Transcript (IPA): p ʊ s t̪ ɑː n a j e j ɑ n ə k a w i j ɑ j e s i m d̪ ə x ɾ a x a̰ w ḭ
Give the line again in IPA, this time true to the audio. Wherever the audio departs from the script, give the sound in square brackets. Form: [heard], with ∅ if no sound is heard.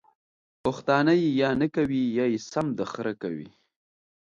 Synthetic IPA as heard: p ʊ [x] t̪ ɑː n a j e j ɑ n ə k a w i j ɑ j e s [a] m d̪ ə x ɾ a [k] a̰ w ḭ